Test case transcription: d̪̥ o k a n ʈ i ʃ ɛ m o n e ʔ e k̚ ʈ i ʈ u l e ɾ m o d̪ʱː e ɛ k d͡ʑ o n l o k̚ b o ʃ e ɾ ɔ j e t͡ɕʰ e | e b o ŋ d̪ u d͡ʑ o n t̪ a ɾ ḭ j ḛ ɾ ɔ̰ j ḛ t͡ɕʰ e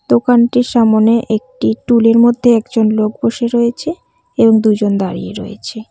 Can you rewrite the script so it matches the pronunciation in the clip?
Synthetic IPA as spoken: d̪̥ o k a n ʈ i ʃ a m o n e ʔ e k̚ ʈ i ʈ u l e ɾ m o d̪ʱː e ɛ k d͡ʑ o n l o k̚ b o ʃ e ɾ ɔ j e t͡ɕʰ e | e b o ŋ d̪ u d͡ʑ o n d̪ a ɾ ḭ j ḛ ɾ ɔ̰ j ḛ t͡ɕʰ e